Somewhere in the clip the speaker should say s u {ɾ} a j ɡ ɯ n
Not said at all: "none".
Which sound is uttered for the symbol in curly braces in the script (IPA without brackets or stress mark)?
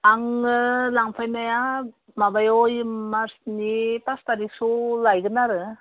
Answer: l